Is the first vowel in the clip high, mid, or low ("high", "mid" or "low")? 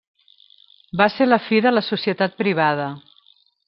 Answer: low